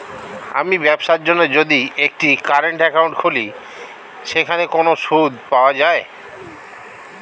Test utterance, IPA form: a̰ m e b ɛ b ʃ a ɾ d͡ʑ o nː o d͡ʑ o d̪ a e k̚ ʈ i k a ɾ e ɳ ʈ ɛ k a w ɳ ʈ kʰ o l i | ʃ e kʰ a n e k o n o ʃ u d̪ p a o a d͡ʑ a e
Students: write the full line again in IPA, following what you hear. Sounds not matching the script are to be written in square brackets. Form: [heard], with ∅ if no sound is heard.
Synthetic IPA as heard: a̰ m [i] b ɛ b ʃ a ɾ d͡ʑ o nː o d͡ʑ o d̪ [i] e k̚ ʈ i k a ɾ e ɳ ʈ ɛ k a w ɳ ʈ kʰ o l i | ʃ e kʰ a n e k o n o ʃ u d̪ p a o a d͡ʑ a e